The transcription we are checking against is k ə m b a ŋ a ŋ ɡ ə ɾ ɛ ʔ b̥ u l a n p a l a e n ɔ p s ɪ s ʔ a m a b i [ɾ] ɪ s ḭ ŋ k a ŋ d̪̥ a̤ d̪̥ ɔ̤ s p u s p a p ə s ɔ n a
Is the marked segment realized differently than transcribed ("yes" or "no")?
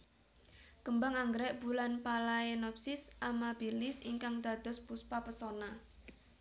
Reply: yes